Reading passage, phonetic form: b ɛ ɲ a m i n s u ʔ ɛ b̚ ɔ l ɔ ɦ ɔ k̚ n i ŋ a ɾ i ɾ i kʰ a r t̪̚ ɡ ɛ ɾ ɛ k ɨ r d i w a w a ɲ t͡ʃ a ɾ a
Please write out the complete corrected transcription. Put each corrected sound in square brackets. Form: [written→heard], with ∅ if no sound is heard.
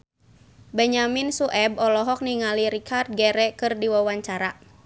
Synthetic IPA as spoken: b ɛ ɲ a m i n s u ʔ ɛ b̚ ɔ l ɔ ɦ ɔ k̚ n i ŋ a [ɾ→l] i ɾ i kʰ a r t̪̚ ɡ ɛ ɾ ɛ k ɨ r d i w a w a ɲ t͡ʃ a ɾ a